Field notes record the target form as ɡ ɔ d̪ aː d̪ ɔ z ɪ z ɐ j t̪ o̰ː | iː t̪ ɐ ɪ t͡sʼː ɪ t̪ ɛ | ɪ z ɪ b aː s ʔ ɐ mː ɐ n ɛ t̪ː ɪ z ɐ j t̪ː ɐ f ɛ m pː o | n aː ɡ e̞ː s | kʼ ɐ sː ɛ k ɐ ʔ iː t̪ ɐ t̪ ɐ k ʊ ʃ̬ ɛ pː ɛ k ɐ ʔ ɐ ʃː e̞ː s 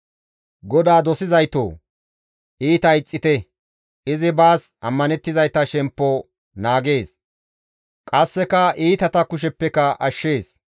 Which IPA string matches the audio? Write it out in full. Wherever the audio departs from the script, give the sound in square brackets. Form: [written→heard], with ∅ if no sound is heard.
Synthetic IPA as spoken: ɡ ɔ d̪ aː d̪ ɔ [z→s] ɪ z ɐ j t̪ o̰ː | iː t̪ ɐ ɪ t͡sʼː ɪ t̪ ɛ | ɪ z ɪ b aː s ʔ ɐ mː ɐ n ɛ t̪ː ɪ z ɐ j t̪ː ɐ [f→ʃ] ɛ m pː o | n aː ɡ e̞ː s | kʼ ɐ sː ɛ k ɐ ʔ iː t̪ ɐ t̪ ɐ k ʊ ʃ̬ ɛ pː ɛ k ɐ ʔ ɐ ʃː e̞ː s